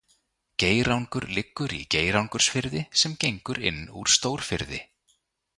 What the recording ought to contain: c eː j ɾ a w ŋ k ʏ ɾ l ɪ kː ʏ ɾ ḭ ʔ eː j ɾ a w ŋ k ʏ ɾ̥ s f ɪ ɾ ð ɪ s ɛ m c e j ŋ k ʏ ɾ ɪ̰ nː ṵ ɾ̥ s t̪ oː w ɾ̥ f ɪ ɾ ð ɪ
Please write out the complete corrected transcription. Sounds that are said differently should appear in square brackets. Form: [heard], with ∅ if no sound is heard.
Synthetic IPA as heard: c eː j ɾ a w ŋ k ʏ ɾ l ɪ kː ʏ ɾ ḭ [c] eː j ɾ a w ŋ k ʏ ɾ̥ s f ɪ ɾ ð ɪ s ɛ m c e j ŋ k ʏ ɾ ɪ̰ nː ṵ ɾ̥ s t̪ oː w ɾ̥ f ɪ ɾ ð ɪ